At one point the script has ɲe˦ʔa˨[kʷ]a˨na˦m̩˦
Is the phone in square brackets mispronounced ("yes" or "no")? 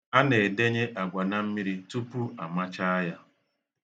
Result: yes